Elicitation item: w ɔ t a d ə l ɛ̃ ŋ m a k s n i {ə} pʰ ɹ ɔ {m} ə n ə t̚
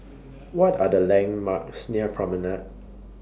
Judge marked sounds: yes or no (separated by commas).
yes, yes